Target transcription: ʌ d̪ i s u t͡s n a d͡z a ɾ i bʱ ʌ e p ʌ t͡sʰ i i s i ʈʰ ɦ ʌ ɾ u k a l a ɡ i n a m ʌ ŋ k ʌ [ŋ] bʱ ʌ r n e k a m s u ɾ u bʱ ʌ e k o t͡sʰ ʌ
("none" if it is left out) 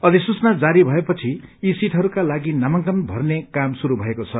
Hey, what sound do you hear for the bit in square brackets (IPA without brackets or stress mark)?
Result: n